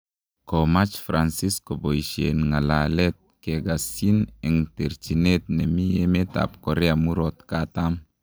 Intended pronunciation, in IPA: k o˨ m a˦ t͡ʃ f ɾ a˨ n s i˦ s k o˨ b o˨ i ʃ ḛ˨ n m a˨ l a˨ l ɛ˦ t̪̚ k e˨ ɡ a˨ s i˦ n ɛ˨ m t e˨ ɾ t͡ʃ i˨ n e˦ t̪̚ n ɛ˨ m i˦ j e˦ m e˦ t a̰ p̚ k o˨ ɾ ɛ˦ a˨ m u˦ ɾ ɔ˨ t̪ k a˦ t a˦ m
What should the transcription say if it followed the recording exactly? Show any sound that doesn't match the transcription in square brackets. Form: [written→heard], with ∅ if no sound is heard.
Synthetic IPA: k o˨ m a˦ t͡ʃ f ɾ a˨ n s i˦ s k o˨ b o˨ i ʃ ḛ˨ n [m→ŋ] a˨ l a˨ l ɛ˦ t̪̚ k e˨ ɡ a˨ s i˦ n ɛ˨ [m→ŋ] t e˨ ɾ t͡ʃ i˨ n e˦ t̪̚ n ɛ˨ m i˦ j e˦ m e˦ t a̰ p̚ k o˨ ɾ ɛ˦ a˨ m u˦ ɾ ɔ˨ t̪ k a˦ t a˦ m